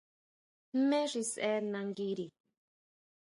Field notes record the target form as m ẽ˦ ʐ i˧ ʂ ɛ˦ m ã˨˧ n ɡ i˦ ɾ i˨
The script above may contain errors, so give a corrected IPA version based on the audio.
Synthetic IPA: m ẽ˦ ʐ i˧ s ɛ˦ n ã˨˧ ŋ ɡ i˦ ɾ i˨